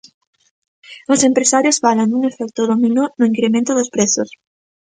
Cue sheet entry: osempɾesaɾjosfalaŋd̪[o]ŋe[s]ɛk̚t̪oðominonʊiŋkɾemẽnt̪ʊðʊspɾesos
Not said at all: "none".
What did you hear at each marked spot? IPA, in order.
u, f

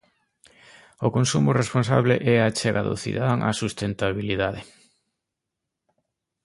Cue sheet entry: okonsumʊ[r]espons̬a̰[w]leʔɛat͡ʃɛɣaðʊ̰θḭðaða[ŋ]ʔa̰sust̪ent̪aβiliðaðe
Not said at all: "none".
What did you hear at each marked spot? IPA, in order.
r, β, ŋ

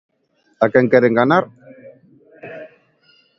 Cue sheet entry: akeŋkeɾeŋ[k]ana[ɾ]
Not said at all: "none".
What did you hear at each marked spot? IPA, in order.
ɡ, ɾ

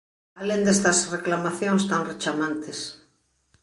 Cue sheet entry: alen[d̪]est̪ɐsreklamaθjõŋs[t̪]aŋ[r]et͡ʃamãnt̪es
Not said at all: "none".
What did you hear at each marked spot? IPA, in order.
d̪, t̪, r

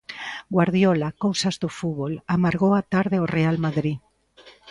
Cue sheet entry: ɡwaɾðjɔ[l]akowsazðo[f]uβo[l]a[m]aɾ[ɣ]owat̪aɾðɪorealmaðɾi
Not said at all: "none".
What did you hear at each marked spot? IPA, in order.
l, f, l, m, ɣ

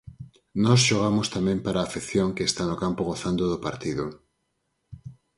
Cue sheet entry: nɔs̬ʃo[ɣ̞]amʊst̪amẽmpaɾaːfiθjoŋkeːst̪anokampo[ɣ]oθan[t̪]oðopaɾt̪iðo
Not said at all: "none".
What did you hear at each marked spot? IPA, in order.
ɣ̞, ɣ, d̪

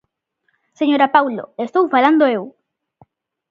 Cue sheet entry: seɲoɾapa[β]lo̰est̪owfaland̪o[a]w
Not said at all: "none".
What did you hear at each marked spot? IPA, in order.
w, e

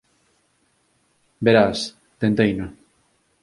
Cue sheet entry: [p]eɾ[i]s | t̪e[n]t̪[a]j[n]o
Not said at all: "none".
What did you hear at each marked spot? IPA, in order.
b, a, n, e, n

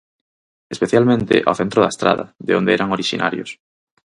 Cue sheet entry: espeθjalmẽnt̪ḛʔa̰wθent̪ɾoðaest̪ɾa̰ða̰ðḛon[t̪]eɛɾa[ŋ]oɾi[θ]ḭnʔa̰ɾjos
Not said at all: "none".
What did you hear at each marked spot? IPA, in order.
d̪, ŋ, ʃ

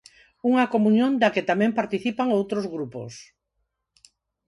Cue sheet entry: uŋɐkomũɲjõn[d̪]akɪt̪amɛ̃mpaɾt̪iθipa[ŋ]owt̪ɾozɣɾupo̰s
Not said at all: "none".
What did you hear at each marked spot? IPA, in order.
d̪, ŋ

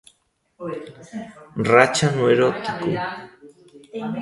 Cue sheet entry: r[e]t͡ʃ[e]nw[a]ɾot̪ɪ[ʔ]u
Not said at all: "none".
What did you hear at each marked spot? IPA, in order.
a, a, e, k

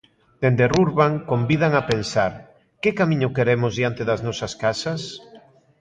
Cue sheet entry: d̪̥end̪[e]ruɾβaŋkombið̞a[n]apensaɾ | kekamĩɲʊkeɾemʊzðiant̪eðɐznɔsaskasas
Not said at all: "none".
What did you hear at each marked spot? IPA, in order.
e, ŋ

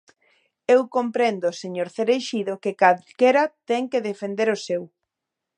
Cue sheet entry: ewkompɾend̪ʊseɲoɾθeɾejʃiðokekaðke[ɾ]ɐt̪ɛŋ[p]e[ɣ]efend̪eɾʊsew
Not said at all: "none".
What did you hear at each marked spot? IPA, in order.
ɾ, k, ð

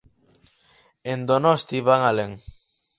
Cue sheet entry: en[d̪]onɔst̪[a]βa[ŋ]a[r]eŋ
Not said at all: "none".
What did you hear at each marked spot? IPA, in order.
d̪, i, ŋ, l

